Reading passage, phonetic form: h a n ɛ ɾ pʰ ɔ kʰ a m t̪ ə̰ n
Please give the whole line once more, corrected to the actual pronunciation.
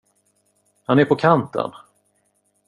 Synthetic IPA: h a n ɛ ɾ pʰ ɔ kʰ a n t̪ ə̰ n

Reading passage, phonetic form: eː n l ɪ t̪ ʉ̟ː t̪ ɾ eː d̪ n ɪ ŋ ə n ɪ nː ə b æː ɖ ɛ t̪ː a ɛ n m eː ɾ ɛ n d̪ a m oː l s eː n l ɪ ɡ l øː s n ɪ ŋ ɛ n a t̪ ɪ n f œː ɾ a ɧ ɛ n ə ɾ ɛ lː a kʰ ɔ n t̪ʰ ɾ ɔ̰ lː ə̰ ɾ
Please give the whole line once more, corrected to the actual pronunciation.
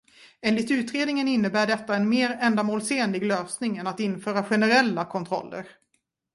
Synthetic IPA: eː n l ɪ t̪ ʉ̟ː t̪ ɾ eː d̪ n ɪ ŋ ə n ɪ nː ə b æː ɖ ɛ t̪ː a ɛ n m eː ɾ ɛ n d̪ a m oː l s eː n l ɪ ɡ l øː s n ɪ ŋ ɛ n a t̪ ɪ n f œː ɾ a ɧ ɛ n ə ɾ ɛ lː a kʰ ɔ n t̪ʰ ɾ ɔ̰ lː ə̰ ɾ

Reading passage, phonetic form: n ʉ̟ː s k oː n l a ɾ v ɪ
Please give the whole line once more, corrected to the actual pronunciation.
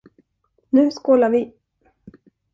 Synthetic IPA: n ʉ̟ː s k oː l a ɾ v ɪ

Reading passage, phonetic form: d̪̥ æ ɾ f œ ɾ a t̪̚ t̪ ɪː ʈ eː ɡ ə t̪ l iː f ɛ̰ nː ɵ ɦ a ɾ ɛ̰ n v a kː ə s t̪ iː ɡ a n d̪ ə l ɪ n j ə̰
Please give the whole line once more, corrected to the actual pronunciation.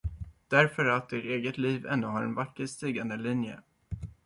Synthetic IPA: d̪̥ æ ɾ f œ ɾ a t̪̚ d̪ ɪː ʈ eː ɡ ə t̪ l iː v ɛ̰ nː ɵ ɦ a ɾ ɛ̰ n v a kː ə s t̪ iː ɡ a n d̪ ə l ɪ n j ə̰

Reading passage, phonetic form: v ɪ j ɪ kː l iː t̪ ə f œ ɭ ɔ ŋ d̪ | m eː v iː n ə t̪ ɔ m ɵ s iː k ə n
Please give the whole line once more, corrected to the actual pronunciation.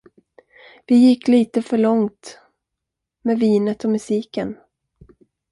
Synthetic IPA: v ɪ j ɪ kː l iː t̪ ə f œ ɭ ɔ ŋ t̪ | m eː v iː n ə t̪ ɔ m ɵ s iː k ə n

